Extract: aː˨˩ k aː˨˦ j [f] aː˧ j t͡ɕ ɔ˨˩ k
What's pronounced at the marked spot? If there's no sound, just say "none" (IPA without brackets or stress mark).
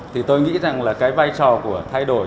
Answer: v